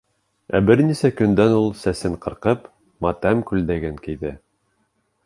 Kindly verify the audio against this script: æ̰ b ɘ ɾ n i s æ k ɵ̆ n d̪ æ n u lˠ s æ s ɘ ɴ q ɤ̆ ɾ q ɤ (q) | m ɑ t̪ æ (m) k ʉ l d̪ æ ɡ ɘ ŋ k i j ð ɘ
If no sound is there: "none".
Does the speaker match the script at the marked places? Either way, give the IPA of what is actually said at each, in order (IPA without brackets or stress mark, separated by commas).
p, m